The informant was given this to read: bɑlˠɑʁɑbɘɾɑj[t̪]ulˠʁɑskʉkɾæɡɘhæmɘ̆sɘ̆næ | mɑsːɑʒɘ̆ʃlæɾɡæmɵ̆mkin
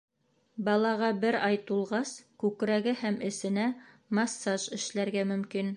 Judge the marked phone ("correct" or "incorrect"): correct